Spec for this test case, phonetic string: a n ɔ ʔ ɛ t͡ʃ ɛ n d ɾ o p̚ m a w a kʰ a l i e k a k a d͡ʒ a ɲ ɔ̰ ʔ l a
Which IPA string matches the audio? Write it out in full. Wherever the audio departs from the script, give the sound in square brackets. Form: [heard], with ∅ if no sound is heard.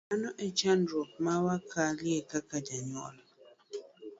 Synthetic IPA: a n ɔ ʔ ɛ t͡ʃ [a] n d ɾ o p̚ m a w a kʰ a l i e k a k a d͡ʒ a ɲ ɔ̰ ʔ l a